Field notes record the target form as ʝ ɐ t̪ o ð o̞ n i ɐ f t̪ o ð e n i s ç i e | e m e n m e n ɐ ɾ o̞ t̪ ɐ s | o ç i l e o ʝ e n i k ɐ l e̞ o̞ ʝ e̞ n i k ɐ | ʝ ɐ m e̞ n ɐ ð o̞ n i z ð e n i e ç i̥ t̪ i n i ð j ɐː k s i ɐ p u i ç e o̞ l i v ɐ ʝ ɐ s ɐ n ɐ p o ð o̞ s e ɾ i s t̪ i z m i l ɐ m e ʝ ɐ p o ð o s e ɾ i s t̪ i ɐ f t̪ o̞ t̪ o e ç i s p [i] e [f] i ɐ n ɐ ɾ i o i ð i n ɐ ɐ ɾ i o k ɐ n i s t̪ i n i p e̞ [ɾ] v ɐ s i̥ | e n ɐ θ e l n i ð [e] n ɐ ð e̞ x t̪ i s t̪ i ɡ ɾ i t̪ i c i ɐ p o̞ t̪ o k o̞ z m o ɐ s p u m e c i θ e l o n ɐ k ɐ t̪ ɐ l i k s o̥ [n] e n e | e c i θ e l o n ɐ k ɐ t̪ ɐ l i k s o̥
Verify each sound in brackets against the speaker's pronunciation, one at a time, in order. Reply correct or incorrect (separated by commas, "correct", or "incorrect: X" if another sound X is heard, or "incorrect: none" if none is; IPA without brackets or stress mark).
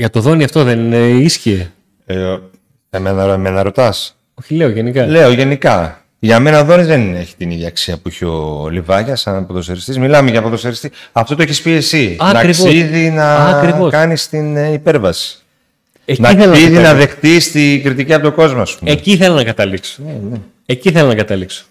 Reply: correct, incorrect: s, correct, incorrect: i, correct